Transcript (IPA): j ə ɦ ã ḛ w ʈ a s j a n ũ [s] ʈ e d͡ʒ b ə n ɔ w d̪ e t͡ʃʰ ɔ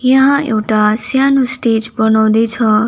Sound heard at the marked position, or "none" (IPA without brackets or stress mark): s